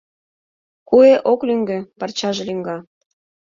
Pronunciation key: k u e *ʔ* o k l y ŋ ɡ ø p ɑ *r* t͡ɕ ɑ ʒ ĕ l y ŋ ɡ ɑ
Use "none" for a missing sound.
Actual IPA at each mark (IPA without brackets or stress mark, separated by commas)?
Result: ʔ, r